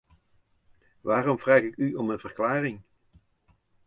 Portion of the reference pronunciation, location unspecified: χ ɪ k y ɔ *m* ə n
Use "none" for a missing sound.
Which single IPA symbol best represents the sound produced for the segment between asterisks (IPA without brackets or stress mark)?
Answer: m